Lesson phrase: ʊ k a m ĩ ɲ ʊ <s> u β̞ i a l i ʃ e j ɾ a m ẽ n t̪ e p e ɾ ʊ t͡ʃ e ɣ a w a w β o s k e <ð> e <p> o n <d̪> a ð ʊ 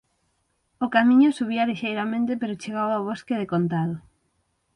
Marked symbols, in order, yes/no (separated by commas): yes, yes, no, no